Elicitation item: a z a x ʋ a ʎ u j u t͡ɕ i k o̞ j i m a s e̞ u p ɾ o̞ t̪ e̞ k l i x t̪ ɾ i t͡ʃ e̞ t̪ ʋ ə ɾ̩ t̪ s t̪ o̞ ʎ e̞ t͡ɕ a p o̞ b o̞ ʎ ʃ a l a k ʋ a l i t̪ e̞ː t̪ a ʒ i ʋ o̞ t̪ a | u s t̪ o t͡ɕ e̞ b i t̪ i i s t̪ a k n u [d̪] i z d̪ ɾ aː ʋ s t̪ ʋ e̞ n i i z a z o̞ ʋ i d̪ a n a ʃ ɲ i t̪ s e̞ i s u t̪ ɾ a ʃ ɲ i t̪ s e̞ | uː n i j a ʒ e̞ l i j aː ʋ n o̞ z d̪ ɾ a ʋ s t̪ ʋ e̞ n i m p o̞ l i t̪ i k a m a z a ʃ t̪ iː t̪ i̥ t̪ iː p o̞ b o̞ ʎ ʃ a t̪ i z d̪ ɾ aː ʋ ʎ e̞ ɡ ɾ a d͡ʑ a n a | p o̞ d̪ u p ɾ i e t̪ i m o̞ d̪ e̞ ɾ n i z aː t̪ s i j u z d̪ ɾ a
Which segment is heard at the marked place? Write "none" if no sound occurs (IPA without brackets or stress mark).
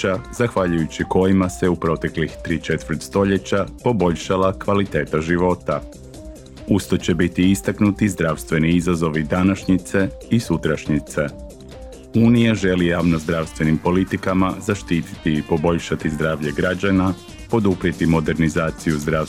t̪